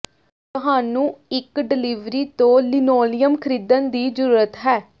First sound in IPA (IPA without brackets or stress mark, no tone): t̪